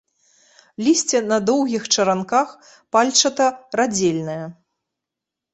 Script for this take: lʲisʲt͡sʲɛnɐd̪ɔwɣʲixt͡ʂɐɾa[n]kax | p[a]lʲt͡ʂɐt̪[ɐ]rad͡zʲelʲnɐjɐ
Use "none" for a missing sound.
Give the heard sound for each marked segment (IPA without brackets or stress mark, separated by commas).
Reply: n, a, ɐ